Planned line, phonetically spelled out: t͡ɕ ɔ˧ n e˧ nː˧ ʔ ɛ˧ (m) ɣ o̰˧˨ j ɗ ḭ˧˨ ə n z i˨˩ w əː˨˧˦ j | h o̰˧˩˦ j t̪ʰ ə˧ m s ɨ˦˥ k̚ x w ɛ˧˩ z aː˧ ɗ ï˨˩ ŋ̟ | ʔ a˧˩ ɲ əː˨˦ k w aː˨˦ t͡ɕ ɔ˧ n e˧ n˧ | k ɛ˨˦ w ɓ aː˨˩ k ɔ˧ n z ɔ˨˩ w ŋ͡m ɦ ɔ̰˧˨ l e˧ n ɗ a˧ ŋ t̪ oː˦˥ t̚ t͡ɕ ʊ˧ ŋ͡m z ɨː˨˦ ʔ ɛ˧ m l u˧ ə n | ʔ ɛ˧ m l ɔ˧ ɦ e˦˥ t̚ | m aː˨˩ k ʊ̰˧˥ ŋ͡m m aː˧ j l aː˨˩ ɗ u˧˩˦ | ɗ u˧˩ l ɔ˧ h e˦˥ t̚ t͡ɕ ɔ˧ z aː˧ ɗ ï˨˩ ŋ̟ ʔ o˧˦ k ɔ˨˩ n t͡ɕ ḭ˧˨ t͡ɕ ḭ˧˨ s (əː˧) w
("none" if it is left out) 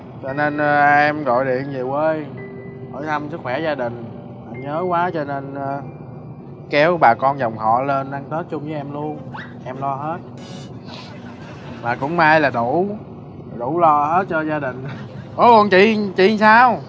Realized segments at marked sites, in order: m, aː˧

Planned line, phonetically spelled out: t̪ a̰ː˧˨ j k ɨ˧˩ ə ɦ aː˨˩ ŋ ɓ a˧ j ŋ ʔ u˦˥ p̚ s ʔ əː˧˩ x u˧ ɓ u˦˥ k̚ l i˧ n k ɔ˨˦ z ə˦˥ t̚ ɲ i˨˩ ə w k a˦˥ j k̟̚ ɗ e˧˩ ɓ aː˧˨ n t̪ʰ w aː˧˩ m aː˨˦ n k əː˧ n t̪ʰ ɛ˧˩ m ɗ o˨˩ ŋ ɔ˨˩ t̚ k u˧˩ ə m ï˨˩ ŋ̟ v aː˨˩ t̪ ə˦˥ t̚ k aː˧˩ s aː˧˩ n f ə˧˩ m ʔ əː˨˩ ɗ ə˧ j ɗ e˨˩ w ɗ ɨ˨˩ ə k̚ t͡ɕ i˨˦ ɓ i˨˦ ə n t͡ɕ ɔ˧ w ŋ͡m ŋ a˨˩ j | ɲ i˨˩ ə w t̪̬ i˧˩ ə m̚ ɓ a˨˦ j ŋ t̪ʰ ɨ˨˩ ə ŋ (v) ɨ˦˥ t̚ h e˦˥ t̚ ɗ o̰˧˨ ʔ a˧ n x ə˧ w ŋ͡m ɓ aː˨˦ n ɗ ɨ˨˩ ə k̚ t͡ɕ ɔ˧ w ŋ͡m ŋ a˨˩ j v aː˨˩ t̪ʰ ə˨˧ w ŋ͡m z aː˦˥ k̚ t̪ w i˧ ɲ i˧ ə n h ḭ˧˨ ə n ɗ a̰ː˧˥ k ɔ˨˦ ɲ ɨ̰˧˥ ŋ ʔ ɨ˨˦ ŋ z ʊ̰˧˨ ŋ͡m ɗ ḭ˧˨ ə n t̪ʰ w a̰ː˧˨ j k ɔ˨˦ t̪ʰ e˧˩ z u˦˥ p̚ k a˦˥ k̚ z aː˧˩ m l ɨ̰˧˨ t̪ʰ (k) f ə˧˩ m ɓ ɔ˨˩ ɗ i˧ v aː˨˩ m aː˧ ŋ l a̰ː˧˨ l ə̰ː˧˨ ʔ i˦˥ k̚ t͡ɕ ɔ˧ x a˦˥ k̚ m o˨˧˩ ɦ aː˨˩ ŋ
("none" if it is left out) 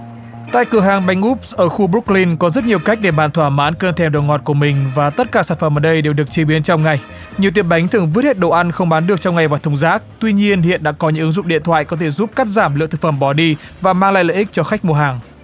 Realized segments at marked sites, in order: v, k

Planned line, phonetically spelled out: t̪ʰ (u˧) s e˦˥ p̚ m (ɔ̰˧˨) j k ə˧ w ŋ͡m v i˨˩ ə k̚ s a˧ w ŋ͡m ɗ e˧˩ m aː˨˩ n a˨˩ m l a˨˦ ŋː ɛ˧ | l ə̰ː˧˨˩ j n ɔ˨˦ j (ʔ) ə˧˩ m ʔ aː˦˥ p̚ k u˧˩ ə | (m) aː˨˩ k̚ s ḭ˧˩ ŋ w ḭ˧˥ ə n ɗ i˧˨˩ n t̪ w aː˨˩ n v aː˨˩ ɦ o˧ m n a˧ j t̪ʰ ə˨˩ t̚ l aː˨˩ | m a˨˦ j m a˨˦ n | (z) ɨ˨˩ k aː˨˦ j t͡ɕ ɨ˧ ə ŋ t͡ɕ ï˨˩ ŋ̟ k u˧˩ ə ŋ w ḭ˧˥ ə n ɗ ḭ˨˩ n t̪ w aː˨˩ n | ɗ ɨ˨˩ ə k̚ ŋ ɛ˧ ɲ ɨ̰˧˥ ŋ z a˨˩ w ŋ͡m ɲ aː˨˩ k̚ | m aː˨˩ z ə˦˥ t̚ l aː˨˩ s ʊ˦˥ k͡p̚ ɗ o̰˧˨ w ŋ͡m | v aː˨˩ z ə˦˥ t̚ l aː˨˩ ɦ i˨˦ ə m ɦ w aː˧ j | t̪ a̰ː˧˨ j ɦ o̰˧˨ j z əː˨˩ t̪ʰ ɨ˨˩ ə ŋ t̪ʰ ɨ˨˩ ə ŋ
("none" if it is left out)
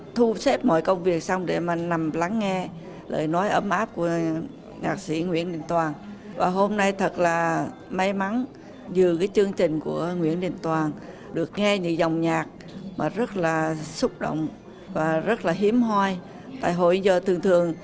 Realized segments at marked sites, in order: u˧, ɔ̰˧˨, ʔ, ɲ, z

